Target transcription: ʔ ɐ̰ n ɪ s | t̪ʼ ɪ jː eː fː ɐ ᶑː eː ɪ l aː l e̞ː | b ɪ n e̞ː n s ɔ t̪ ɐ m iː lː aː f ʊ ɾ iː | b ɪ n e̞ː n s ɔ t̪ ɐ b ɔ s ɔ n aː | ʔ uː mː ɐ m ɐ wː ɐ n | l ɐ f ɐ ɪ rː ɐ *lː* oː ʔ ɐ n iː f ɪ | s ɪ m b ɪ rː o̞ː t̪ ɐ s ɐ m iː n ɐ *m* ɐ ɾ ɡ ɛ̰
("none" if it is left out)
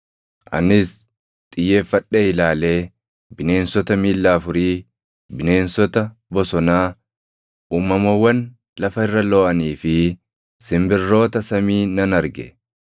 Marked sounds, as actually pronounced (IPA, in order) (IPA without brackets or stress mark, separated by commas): l, n